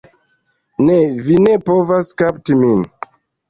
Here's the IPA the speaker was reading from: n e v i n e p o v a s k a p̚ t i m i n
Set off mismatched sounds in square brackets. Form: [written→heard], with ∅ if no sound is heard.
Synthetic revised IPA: n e v i n e p o v a s k a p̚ t i m i n